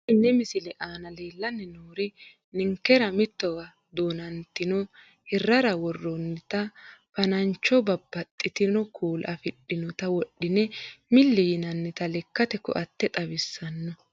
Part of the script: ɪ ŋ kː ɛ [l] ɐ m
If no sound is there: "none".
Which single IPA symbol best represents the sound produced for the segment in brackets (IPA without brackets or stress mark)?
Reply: ɾ